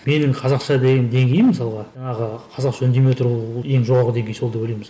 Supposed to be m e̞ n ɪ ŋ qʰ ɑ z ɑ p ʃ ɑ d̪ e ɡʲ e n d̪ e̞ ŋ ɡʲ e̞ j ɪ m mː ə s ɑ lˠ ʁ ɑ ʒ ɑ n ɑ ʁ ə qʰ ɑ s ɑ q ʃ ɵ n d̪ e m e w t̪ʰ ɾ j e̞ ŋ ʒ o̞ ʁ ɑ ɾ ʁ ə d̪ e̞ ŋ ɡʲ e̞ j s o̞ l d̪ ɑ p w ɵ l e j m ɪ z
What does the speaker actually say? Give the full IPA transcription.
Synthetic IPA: m e̞ n ɪ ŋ qʰ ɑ z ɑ q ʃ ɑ d̪ e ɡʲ e n d̪ e̞ ŋ ɡʲ e̞ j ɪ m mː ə s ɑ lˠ ʁ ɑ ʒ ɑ ɴ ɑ ʁ ə qʰ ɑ z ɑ q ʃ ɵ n d̪ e m e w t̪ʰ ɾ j e̞ ŋ ʒ o̞ ʁ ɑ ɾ ʁ ə d̪ e̞ ŋ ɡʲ e̞ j s o̞ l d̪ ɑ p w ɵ l e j m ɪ z